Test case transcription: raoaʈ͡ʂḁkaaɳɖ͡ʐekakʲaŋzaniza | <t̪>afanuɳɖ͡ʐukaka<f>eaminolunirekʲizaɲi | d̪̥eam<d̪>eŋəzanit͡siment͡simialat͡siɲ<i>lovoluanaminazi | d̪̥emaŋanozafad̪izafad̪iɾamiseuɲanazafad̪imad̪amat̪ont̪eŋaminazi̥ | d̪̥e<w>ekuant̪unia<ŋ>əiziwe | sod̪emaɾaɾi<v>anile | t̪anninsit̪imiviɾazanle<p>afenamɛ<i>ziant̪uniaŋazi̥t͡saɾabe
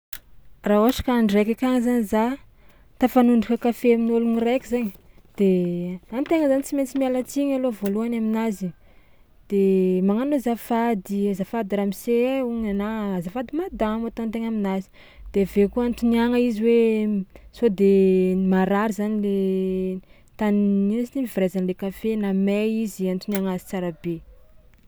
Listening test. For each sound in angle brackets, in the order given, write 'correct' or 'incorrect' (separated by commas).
correct, correct, incorrect, incorrect, incorrect, correct, incorrect, incorrect, correct